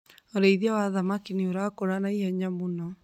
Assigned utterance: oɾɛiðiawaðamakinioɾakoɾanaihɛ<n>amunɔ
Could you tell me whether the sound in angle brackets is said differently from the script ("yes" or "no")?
yes